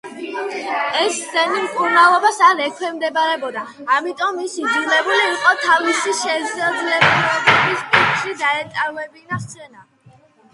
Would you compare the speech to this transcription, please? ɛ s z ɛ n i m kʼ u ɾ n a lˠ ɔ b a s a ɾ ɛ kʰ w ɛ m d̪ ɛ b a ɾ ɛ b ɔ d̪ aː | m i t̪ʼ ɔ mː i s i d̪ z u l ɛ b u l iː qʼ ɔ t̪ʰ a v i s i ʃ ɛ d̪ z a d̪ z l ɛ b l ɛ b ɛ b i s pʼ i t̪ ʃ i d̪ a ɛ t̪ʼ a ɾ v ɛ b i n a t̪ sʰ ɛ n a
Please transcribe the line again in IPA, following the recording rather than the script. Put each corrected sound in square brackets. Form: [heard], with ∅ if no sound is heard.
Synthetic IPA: ɛ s z ɛ n i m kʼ u ɾ n a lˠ ɔ b a s a ɾ ɛ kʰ w ɛ m d̪ ɛ b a ɾ ɛ b ɔ d̪ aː | m i t̪ʼ ɔ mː i s i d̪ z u l ɛ b u l iː qʼ ɔ t̪ʰ a v i s i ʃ ɛ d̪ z a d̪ z l ɛ b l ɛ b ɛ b i s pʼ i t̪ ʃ i d̪ a ɛ t̪ʼ a ɾ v ɛ b i n a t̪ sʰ ɛ n a